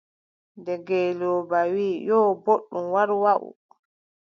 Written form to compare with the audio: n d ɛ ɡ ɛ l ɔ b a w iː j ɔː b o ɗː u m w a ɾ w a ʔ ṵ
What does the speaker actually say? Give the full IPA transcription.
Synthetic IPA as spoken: n d ɛ ɡ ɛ l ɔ b a w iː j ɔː b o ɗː u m w a ɾ w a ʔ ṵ